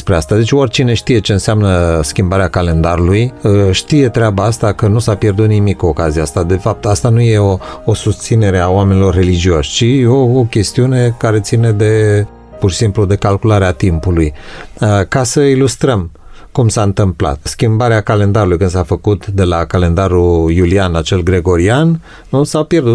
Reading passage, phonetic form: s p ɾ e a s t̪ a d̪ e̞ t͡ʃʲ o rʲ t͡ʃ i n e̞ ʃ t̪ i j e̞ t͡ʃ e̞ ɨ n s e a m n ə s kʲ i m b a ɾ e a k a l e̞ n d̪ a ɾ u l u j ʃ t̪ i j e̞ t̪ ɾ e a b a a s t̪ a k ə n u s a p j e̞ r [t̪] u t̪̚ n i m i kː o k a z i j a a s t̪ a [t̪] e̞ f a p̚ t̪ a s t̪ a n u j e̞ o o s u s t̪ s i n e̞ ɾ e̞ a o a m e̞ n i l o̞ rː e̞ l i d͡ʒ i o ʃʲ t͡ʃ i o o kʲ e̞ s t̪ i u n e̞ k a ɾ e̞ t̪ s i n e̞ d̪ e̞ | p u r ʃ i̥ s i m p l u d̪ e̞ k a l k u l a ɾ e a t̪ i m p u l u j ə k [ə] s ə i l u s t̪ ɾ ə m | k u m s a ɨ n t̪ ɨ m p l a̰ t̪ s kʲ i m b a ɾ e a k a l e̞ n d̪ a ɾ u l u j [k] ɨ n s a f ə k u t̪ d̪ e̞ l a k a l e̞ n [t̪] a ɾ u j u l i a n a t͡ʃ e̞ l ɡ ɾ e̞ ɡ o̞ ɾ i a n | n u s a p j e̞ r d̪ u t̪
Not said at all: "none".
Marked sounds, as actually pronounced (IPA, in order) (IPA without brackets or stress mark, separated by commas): d̪, d̪, a, k, d̪